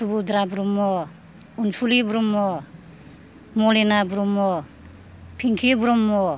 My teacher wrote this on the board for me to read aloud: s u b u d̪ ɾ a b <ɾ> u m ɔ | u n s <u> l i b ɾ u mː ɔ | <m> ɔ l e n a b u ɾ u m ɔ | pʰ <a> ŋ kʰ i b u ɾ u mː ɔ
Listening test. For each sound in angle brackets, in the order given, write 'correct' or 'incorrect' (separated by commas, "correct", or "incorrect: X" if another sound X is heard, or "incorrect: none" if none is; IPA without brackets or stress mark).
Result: correct, correct, correct, incorrect: i